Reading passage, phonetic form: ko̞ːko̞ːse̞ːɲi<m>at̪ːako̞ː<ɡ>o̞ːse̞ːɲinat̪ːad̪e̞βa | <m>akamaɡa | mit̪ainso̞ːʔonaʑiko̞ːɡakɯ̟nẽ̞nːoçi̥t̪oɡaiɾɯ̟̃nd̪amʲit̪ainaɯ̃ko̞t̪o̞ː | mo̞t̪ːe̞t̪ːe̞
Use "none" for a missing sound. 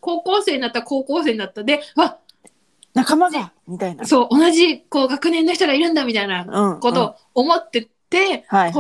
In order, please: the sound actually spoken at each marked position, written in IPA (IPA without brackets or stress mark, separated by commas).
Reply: n, k, n